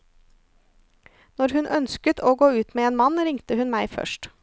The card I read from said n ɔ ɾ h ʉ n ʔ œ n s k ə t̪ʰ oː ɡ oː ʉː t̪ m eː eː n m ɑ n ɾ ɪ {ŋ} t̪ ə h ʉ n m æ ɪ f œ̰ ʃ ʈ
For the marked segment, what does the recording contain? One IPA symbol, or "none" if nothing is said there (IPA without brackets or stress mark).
ŋ